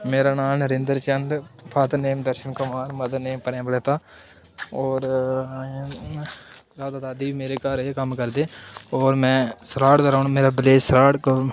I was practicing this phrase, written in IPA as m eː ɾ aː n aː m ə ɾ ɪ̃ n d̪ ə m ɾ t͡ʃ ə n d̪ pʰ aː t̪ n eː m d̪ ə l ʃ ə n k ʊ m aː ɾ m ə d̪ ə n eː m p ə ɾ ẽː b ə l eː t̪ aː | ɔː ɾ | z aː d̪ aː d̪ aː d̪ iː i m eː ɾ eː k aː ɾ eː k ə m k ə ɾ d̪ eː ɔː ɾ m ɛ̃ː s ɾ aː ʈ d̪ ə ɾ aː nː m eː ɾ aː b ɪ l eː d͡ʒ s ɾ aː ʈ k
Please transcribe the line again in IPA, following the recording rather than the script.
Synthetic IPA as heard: m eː ɾ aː n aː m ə ɾ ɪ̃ n d̪ ə ɾ t͡ʃ ə n d̪ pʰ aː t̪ n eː m d̪ ə ɾ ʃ ə n k ʊ m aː ɾ m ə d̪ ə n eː m p ə ɾ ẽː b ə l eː t̪ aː | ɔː ɾ | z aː d̪ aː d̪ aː d̪ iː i m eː ɾ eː k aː ɾ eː k ə m k ə ɾ d̪ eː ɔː ɾ m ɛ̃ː s ɾ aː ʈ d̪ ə ɾ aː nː m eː ɾ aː b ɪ l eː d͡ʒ s ɾ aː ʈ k